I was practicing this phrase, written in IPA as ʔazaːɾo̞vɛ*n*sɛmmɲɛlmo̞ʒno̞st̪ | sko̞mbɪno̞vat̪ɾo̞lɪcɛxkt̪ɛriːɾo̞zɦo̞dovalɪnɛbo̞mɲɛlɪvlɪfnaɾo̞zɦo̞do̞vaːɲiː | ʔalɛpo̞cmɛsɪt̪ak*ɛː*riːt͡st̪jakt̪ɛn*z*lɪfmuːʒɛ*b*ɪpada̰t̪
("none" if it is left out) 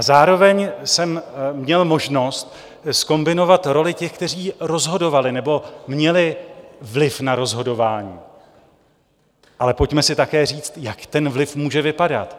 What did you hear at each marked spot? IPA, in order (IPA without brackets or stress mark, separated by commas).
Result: ɲ, ɛː, v, v